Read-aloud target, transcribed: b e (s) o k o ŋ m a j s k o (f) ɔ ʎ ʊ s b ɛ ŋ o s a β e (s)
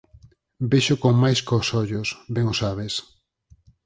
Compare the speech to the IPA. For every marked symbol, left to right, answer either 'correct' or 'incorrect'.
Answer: incorrect, incorrect, correct

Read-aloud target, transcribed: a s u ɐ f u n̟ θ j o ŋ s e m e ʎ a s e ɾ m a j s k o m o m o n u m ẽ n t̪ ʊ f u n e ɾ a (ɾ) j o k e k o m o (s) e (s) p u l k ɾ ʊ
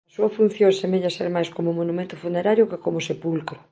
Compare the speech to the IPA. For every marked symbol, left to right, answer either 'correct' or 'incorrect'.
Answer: correct, correct, incorrect

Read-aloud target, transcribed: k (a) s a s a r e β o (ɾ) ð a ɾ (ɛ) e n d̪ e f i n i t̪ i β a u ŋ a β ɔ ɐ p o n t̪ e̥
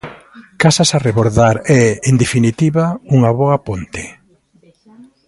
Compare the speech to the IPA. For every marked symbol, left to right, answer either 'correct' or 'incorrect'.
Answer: correct, correct, correct

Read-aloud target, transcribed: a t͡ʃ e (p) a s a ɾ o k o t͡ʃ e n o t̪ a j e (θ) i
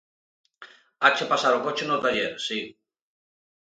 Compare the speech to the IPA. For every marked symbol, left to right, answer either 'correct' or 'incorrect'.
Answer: correct, incorrect

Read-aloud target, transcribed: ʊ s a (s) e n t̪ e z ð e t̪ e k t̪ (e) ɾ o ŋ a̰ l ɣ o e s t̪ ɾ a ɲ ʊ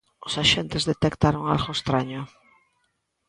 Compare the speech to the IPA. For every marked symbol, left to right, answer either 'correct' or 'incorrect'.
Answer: incorrect, incorrect

